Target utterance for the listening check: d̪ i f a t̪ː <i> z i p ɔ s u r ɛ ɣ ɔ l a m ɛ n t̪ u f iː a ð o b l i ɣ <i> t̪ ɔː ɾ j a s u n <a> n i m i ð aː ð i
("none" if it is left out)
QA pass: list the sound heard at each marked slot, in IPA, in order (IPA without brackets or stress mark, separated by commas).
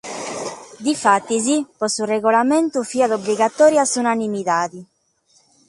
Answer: i, a, a